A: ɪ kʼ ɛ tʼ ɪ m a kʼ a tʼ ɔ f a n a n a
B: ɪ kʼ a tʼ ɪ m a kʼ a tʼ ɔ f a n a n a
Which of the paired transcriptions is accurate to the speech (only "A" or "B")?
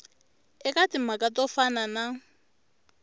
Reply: B